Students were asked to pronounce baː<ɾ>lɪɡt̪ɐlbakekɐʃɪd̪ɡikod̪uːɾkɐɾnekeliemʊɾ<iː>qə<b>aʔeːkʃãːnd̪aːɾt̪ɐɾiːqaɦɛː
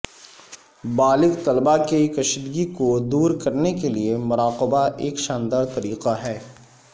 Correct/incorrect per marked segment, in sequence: incorrect, incorrect, correct

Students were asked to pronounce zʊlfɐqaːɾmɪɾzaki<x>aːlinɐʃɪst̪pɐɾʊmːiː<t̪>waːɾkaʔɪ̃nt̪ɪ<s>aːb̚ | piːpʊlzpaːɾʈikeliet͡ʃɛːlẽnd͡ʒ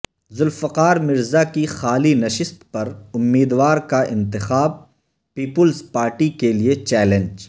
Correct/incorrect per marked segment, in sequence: correct, incorrect, incorrect

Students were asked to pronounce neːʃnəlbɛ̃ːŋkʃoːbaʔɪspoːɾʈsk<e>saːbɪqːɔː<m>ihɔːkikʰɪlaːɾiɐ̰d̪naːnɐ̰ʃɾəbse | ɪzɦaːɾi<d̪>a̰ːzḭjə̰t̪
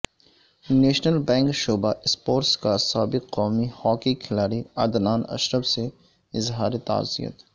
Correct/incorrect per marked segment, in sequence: incorrect, correct, incorrect

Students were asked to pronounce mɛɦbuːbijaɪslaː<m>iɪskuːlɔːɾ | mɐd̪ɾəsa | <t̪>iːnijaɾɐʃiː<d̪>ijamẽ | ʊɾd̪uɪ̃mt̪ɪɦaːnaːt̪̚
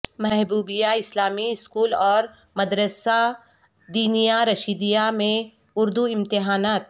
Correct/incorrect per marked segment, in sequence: correct, incorrect, correct

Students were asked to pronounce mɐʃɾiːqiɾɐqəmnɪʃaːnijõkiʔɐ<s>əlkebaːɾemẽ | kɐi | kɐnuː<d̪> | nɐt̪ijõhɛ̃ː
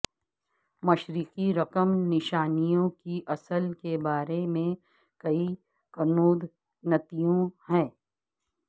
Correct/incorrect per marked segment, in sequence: correct, correct

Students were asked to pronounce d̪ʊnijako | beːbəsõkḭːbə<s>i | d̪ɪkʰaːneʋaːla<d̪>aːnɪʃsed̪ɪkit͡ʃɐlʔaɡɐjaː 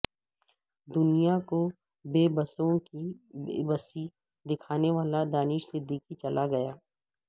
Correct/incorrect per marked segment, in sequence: correct, correct

